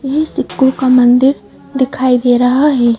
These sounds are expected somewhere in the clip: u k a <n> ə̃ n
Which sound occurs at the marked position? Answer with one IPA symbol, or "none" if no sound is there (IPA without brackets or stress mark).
m